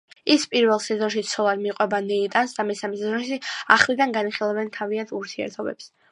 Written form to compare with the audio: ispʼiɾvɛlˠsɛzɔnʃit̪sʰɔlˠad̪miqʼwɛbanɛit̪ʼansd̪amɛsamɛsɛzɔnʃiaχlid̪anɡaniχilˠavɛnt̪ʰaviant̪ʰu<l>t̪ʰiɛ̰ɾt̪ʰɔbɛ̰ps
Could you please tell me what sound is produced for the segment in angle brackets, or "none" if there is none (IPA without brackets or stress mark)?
ɾ